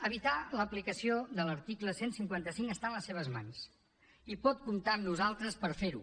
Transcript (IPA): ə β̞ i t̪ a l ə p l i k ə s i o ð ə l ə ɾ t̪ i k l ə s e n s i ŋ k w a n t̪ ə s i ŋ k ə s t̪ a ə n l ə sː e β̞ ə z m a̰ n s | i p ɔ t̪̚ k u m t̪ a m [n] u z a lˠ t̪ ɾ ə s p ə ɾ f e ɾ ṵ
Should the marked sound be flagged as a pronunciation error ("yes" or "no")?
no